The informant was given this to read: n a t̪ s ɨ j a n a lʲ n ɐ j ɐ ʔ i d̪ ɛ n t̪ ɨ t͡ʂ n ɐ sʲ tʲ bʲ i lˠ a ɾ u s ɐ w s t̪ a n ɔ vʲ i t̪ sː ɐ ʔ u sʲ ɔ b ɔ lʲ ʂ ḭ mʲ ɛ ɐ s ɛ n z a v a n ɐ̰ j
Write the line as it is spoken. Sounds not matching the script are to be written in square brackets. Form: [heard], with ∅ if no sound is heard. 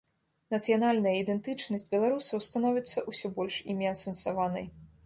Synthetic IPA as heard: n [ɐ] t̪ s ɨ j a n a lʲ n ɐ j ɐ [∅] i d̪ ɛ n t̪ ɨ t͡ʂ n ɐ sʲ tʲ bʲ [ɛ] lˠ a ɾ u s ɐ w s t̪ a n ɔ vʲ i t̪ sː ɐ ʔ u sʲ ɔ b ɔ lʲ ʂ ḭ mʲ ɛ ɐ s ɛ n [s] a v a n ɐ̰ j